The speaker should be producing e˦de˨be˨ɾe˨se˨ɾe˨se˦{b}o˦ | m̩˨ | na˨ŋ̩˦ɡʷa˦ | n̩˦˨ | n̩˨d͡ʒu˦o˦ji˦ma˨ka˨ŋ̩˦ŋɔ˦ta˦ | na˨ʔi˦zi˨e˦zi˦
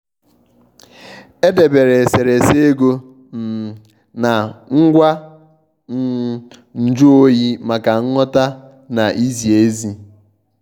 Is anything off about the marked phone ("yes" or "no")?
yes